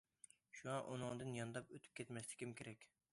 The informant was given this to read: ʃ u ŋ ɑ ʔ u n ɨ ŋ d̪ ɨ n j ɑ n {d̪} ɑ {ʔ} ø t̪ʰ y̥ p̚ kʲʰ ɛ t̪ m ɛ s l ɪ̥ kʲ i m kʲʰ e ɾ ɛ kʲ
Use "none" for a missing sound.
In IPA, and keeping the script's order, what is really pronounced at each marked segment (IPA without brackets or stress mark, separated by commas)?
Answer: d̪, p